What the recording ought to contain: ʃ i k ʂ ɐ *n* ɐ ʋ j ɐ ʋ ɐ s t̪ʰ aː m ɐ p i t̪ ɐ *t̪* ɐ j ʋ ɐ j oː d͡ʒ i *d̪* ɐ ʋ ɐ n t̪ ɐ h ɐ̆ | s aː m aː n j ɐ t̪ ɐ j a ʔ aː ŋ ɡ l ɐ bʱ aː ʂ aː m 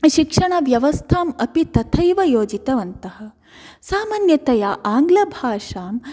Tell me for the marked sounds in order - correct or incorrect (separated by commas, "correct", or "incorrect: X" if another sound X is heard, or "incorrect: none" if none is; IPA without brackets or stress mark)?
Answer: incorrect: ɳ, incorrect: t̪ʰ, incorrect: t̪